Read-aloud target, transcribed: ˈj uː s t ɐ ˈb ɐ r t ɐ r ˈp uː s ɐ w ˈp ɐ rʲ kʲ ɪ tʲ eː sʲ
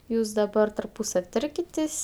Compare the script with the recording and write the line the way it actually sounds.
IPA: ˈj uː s d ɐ ˈb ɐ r t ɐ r ˈp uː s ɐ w ˈt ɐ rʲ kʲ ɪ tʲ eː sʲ